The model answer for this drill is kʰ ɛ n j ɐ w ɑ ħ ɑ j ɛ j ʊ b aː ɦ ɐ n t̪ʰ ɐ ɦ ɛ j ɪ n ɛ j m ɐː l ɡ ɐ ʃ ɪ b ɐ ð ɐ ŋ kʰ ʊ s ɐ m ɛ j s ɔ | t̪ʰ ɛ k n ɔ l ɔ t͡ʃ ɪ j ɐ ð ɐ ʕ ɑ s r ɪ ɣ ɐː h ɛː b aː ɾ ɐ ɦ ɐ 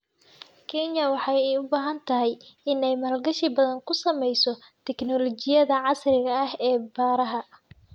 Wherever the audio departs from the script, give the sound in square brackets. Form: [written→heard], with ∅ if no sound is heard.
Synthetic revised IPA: kʰ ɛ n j ɐ w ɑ ħ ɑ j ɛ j ʊ b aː ɦ ɐ n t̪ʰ ɐ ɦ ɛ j ɪ n ɛ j m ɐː l ɡ ɐ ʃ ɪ b ɐ ð ɐ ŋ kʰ ʊ s ɐ m ɛ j s ɔ | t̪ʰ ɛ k n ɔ l ɔ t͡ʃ ɪ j ɐ ð ɐ ʕ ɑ s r ɪ ɣ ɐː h ɛː b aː ɾ ɐ ɦ ɐ